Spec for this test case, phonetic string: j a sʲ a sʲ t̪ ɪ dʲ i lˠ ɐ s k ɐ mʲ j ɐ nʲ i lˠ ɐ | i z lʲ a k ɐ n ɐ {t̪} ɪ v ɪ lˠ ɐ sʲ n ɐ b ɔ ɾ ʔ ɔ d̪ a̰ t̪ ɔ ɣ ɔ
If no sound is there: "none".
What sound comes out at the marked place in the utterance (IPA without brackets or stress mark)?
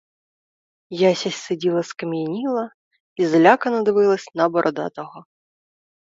d̪